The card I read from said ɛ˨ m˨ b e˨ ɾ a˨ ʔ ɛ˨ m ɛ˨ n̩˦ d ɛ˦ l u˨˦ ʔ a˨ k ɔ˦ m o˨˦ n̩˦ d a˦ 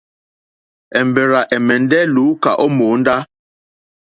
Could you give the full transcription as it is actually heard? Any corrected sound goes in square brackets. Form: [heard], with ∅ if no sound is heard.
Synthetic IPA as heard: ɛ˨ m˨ b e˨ ɾ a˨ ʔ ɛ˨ m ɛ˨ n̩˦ d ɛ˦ l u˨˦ [k] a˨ [ʔ] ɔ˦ m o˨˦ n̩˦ d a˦